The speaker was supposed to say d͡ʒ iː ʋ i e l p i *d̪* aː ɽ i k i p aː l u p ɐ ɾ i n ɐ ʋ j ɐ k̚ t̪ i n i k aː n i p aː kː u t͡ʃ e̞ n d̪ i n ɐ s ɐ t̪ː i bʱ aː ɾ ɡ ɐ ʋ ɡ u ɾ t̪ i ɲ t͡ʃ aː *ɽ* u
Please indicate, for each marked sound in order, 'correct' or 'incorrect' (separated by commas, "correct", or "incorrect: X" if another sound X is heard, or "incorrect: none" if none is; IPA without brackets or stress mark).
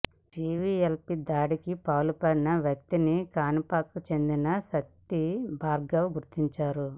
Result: correct, incorrect: ɾ